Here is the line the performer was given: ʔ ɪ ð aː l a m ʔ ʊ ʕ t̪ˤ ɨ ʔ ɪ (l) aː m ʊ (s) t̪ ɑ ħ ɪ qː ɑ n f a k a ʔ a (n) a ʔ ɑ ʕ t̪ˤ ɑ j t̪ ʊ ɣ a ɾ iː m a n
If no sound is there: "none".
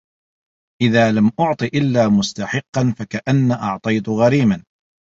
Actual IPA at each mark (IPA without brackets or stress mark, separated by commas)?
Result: lː, s, nː